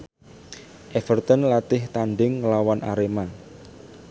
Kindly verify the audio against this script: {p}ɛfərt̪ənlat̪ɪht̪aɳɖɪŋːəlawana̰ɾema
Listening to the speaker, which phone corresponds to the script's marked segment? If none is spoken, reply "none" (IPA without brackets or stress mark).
ʔ